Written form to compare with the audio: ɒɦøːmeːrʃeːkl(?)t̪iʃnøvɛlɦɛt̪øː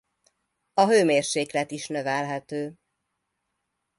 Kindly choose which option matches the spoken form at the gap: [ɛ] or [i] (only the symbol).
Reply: ɛ